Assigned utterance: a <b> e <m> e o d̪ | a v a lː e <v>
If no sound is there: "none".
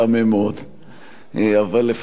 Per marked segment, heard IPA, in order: m, m, f

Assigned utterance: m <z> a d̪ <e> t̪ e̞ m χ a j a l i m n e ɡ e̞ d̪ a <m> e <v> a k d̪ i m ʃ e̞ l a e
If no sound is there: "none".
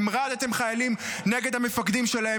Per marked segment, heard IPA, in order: ʁ, a, m, f

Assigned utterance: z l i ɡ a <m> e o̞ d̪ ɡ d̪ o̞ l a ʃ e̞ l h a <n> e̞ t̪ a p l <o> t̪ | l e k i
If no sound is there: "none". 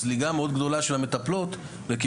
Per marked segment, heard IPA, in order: m, m, o

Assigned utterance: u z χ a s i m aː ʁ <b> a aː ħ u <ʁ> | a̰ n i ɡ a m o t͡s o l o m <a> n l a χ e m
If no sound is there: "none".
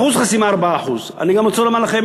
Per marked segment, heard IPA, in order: b, z, a

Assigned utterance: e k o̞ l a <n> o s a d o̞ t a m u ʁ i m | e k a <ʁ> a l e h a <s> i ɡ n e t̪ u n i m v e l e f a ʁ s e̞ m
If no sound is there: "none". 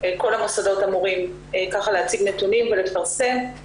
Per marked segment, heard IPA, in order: m, χ, t͡s

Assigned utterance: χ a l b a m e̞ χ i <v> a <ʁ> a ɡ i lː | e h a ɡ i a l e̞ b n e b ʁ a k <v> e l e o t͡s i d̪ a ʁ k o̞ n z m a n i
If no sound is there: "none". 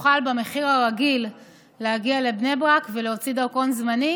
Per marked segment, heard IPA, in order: ʁ, ʁ, v

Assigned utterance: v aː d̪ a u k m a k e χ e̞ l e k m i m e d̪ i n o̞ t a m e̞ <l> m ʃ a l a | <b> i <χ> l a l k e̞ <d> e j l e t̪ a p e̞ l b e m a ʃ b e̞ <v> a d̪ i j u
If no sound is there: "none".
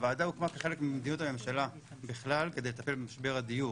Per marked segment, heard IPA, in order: none, b, χ, d, ʁ

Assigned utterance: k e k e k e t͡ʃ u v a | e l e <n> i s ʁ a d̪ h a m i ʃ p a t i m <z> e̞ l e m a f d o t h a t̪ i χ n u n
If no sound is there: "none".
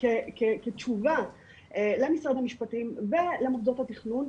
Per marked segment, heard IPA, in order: m, v

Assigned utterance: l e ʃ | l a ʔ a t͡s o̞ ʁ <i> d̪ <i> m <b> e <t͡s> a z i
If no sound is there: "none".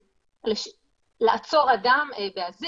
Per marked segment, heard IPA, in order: a, a, b, none

